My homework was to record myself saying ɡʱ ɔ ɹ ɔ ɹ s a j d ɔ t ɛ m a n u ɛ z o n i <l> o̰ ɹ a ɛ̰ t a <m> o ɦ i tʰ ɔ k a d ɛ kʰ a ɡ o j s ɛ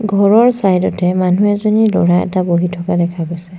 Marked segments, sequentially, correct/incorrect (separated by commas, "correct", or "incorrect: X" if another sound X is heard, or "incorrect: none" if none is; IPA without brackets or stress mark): correct, incorrect: b